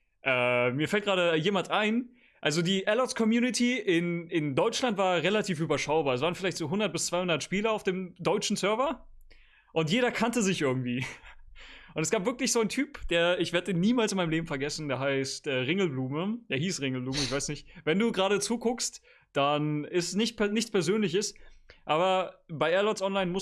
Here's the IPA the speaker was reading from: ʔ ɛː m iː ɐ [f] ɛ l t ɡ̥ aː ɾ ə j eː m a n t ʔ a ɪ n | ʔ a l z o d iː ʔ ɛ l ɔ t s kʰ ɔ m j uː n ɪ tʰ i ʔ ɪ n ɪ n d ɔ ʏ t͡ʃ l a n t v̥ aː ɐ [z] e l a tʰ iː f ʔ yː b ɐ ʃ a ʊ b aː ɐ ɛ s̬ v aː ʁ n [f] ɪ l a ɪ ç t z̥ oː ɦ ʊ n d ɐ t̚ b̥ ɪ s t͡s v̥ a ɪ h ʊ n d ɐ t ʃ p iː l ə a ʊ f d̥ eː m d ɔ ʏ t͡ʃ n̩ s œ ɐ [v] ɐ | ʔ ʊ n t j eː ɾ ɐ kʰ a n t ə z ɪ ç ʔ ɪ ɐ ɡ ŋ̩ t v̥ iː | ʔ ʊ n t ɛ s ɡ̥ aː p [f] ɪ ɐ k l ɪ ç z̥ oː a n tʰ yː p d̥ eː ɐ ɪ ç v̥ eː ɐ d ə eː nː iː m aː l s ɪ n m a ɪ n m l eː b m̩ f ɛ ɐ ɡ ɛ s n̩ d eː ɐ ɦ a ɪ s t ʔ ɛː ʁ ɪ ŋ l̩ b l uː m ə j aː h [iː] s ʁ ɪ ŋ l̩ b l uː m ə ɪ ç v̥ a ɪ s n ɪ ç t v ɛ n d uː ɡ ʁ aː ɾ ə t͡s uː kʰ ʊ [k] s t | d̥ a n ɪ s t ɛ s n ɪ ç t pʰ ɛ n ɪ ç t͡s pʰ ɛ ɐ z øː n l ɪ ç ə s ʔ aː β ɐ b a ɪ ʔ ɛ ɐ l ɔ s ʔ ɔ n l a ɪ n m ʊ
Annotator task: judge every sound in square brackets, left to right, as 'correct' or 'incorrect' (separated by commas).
correct, incorrect, correct, correct, incorrect, correct, correct